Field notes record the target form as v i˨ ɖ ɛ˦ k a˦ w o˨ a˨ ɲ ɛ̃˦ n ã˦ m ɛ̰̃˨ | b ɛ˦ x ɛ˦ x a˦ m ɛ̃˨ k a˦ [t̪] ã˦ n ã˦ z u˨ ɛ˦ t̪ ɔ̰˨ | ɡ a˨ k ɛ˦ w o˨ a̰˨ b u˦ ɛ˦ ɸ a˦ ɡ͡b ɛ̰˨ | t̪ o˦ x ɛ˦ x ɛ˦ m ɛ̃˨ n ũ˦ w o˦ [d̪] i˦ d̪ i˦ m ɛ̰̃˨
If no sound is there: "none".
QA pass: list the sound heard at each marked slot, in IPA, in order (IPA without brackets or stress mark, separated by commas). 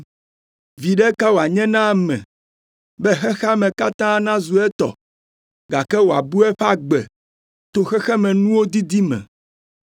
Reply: t̪, d̪